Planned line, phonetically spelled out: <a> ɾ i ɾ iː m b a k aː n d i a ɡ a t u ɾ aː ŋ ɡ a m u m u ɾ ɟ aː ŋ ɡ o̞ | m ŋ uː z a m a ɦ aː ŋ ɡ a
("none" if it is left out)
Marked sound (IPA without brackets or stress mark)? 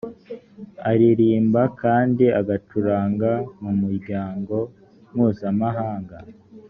a